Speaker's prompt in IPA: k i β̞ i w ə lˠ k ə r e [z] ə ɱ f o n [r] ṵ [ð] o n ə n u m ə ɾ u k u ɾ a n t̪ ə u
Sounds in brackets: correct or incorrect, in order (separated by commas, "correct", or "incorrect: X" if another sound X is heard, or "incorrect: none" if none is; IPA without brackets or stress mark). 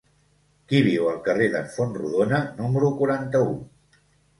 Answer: incorrect: ð, correct, correct